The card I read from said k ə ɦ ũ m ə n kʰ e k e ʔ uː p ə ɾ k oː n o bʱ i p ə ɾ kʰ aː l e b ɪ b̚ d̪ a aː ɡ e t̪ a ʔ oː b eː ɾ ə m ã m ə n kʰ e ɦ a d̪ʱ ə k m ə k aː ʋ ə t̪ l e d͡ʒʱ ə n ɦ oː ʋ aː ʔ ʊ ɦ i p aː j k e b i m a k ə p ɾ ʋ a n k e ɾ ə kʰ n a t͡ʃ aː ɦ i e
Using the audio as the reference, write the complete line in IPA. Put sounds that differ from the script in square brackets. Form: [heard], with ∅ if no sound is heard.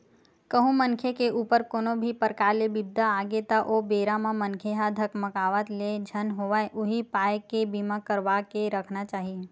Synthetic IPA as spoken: k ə ɦ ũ m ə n kʰ e k e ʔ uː p ə ɾ k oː n o bʱ i p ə ɾ [k] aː l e b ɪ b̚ d̪ a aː ɡ e t̪ a ʔ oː b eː ɾ [a] m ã m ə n kʰ e ɦ a d̪ʱ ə k m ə k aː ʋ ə t̪ l e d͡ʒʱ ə n ɦ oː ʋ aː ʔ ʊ ɦ i p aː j k e b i m a k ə [∅] ɾ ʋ a [∅] k e ɾ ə kʰ n a t͡ʃ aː ɦ i e